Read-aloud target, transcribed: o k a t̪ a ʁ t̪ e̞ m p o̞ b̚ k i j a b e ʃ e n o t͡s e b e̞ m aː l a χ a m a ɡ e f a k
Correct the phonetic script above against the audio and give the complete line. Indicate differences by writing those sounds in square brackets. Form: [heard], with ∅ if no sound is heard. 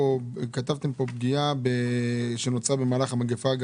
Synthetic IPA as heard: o k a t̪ a [v] t̪ e̞ m p o̞ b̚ [ɡ] i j a b e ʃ e n o t͡s [a] b e̞ m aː l a χ a m a ɡ e f a [ɡ]